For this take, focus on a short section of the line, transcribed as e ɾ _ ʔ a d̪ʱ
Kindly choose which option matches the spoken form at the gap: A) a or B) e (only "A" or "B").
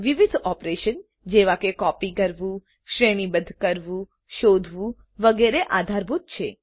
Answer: B